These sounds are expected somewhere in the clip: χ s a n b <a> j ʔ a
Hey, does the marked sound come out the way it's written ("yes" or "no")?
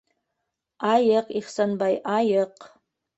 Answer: yes